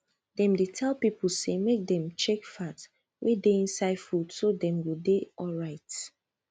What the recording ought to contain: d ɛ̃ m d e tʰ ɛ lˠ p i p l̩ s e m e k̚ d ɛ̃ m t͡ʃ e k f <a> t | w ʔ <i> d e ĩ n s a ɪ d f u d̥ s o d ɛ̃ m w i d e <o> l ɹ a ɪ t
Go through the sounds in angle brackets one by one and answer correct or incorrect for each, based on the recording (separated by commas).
correct, incorrect, incorrect